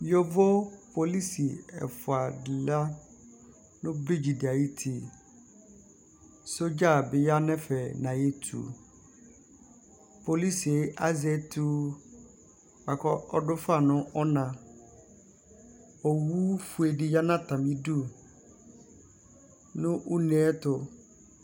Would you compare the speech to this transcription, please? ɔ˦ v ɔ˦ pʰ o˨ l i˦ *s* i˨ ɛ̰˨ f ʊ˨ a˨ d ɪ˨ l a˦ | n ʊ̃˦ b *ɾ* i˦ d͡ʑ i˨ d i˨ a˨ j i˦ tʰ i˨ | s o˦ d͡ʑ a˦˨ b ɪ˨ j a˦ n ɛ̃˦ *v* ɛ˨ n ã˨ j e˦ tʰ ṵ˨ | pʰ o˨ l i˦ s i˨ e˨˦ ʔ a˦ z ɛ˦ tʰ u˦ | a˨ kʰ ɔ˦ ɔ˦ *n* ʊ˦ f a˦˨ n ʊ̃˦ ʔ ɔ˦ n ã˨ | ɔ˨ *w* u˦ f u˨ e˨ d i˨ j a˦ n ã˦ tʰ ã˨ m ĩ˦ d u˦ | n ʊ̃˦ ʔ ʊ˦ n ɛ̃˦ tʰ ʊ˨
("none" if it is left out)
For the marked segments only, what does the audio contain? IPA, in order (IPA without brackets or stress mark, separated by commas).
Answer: s, ɾ, f, d, w